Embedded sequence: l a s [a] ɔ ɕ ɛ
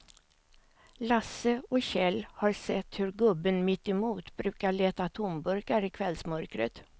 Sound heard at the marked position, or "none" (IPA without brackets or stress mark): ə